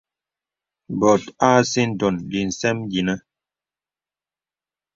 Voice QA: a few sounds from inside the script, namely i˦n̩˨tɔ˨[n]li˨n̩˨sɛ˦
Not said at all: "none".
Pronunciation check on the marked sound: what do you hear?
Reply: n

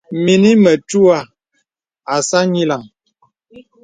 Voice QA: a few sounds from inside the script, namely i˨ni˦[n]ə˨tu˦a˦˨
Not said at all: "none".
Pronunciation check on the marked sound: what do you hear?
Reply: m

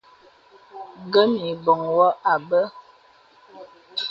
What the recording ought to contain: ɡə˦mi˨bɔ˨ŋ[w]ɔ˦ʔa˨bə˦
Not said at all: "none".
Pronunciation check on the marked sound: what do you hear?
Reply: w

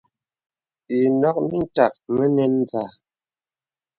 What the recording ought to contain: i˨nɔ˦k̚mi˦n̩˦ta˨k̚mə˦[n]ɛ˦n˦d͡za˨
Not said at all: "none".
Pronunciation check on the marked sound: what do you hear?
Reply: n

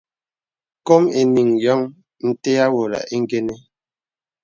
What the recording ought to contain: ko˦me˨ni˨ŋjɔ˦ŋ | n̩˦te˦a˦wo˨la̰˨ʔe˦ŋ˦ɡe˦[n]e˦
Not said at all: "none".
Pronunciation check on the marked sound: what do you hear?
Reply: n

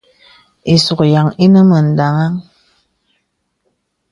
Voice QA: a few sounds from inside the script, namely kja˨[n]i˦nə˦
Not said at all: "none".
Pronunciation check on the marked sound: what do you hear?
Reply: ŋ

